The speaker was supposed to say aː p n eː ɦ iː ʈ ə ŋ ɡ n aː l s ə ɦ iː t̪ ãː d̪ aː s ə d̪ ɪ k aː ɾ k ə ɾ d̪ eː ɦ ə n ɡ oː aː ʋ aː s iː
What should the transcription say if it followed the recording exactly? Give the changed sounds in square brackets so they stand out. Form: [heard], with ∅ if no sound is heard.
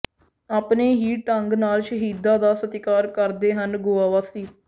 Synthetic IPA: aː p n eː ɦ iː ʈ ə ŋ ɡ n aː l [ʃ] ə ɦ iː [d̪] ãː d̪ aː s ə [t̪] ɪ k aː ɾ k ə ɾ d̪ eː ɦ ə n ɡ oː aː ʋ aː s iː